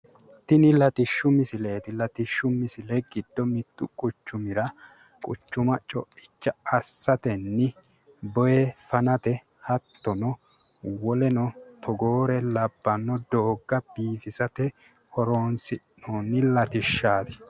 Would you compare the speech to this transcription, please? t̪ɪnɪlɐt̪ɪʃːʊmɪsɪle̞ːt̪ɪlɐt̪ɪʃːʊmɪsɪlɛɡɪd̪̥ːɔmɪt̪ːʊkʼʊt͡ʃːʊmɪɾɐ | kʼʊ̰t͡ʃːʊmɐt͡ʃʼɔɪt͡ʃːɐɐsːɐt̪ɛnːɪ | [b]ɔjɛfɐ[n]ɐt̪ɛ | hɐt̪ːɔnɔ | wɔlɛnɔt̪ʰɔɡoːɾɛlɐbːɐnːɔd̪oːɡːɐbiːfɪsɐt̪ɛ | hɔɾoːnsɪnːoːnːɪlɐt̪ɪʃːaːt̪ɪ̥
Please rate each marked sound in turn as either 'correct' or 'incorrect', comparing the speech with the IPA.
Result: correct, correct

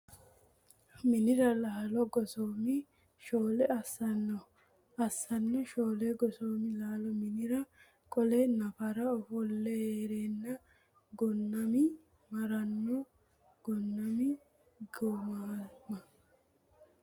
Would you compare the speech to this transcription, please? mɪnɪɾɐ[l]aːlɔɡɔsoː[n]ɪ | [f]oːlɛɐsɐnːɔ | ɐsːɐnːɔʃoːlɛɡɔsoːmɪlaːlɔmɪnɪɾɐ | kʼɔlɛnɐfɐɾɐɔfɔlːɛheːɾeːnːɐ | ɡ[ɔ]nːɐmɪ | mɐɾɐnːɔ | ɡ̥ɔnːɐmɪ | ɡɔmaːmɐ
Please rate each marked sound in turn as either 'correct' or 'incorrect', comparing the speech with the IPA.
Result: correct, incorrect, incorrect, correct

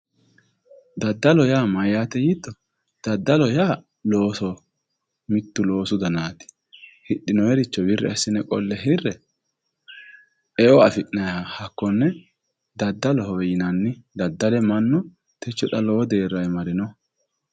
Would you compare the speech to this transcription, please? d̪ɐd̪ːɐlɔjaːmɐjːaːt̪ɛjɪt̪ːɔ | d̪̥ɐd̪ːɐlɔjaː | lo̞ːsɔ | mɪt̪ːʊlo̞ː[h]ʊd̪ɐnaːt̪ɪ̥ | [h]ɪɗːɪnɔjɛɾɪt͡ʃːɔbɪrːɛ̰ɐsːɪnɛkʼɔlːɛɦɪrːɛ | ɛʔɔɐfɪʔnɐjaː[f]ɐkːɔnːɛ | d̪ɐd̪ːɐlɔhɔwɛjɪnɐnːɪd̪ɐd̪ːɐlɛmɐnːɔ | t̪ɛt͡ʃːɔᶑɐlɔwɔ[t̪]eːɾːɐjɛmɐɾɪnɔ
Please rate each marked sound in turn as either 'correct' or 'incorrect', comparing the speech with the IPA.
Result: incorrect, correct, incorrect, incorrect

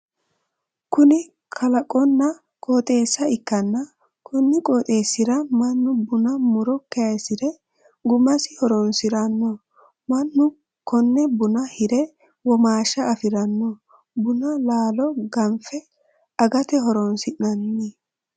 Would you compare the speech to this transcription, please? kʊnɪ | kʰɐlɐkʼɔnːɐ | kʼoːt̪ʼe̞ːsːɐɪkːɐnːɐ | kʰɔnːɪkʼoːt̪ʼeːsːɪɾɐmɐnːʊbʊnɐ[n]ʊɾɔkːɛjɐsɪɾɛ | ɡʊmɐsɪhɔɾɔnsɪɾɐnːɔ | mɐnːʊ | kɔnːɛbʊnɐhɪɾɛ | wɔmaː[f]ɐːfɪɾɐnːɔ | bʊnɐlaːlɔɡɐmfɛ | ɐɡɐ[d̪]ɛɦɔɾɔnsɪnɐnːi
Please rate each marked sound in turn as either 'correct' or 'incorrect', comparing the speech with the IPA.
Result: incorrect, incorrect, incorrect

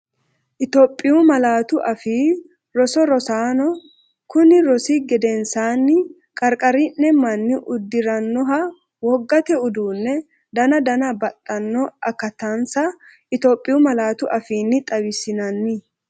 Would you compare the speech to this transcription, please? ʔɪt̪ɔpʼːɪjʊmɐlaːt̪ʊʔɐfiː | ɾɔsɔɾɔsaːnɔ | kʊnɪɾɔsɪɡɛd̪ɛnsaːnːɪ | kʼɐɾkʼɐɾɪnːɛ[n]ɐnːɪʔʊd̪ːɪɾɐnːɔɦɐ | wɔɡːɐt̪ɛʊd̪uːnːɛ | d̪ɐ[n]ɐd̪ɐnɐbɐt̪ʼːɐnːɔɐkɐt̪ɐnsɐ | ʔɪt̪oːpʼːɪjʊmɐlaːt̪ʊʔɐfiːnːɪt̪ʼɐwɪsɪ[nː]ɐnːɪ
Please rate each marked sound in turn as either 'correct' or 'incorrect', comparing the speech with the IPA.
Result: incorrect, correct, incorrect

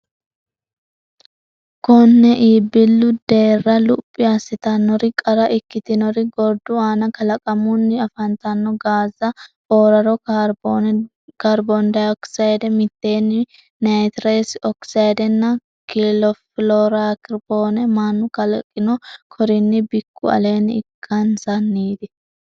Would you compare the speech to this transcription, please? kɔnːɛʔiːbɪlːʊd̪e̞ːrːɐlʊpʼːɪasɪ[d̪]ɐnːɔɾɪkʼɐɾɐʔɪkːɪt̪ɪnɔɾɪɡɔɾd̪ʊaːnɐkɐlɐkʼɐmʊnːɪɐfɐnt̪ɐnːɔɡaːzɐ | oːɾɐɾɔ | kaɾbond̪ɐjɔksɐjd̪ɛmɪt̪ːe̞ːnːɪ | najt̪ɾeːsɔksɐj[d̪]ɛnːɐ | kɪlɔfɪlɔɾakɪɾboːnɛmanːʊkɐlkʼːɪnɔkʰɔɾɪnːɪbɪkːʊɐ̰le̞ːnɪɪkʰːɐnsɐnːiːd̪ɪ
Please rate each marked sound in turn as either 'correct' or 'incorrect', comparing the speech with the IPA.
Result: incorrect, correct

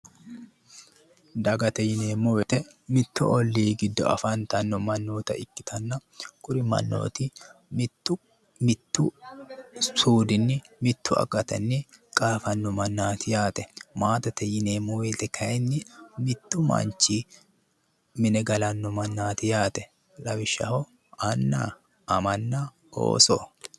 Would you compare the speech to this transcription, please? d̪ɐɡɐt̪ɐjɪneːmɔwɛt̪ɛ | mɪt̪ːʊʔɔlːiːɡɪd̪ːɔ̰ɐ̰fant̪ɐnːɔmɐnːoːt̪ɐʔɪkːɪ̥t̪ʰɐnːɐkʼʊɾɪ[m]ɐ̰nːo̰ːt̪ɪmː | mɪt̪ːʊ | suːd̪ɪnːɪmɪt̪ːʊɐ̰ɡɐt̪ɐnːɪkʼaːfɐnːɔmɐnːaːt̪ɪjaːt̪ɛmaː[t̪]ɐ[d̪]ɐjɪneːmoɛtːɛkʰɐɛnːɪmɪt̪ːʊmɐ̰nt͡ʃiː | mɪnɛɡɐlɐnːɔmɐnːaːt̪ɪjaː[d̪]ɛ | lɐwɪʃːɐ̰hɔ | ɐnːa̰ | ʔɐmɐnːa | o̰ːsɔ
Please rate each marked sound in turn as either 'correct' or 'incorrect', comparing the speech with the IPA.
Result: correct, correct, incorrect, incorrect

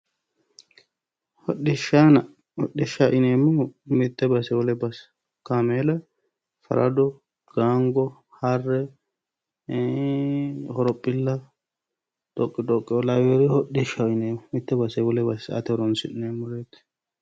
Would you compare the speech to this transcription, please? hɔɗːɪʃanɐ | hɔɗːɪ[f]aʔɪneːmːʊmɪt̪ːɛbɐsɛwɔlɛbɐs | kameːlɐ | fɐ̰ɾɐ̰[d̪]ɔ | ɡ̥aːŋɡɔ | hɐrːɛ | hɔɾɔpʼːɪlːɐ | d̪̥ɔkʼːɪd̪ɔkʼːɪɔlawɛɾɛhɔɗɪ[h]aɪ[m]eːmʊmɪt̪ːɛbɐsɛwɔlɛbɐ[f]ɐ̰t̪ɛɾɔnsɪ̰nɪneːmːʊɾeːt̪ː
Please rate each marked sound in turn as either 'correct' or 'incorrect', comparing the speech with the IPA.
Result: incorrect, correct, incorrect, incorrect, incorrect

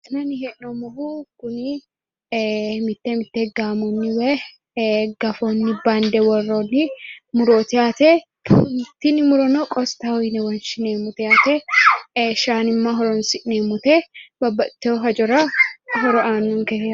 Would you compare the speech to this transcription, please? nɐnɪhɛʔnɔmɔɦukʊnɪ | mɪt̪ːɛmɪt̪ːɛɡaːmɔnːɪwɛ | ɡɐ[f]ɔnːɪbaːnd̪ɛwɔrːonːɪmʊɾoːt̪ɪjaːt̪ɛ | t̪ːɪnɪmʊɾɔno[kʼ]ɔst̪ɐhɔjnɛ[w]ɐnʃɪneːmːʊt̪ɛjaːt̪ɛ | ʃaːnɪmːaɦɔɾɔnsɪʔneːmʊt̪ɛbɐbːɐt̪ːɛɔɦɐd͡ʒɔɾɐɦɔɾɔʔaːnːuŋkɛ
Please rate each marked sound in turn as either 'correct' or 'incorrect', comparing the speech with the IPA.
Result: correct, correct, correct

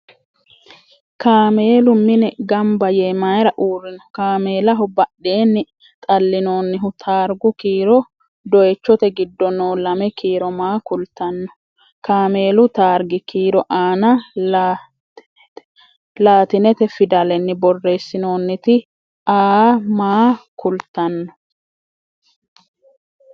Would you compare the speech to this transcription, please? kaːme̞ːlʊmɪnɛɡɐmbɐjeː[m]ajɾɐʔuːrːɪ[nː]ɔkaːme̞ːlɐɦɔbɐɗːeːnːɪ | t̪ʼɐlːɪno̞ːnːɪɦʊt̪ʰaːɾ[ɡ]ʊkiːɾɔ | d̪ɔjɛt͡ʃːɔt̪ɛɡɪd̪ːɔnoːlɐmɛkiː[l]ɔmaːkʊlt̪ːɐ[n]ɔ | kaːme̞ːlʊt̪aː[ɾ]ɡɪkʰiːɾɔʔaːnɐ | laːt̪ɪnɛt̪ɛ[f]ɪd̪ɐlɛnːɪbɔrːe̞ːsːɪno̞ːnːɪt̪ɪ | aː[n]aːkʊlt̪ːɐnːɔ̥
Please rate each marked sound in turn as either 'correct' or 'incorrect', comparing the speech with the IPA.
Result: correct, incorrect, correct, incorrect, incorrect, correct, correct, incorrect

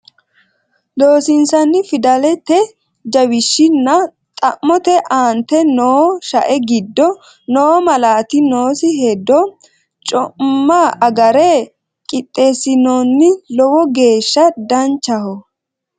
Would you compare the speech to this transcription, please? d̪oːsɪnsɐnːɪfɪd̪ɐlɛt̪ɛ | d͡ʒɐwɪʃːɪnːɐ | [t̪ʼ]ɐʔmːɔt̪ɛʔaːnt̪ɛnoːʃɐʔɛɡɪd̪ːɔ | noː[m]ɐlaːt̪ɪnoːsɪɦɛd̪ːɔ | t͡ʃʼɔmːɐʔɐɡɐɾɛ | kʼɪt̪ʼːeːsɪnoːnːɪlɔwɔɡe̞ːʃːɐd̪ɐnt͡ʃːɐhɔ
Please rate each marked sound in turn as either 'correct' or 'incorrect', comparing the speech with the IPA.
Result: correct, correct

